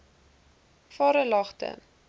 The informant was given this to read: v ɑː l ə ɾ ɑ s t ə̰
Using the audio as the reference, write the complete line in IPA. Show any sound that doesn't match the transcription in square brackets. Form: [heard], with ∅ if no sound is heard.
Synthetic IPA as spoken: [f] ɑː [ɾ] ə [l] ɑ [χ] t ə̰